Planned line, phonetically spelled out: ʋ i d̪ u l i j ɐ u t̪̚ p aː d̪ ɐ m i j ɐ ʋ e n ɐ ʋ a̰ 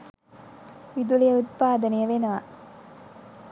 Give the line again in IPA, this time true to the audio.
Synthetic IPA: ʋ i d̪ u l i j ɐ u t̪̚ p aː d̪ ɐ n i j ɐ ʋ e n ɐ ʋ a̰

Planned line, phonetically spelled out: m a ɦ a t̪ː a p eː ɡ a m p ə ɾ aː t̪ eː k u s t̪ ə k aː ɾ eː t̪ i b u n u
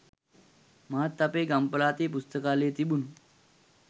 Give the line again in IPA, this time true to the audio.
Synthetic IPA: m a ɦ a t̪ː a p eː ɡ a m p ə l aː t̪ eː p u s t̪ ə k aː l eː t̪ i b u n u

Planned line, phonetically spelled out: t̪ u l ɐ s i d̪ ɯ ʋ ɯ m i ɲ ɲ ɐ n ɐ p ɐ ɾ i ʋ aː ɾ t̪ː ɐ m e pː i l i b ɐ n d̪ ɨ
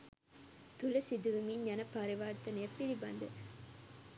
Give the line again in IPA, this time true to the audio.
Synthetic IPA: t̪ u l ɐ s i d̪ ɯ ʋ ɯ m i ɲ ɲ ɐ n ɐ p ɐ ɾ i ʋ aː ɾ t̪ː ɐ n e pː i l i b ɐ n d̪ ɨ

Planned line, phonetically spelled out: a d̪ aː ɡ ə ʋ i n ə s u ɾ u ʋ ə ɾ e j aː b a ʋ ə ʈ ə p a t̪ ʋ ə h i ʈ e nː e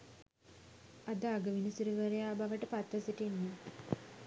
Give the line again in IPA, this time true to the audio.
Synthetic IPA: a d̪ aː ɡ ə ʋ i n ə s u ɾ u ʋ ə ɾ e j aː b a ʋ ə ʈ ə p a t̪ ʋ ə s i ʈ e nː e

